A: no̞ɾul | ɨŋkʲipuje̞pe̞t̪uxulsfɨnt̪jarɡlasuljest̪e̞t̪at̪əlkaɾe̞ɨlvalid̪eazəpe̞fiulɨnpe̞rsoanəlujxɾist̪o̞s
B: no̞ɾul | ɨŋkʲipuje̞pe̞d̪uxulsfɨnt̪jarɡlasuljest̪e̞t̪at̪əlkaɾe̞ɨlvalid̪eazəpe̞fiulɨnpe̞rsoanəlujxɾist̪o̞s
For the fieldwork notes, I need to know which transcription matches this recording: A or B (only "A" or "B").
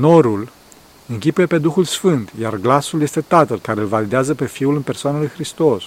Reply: B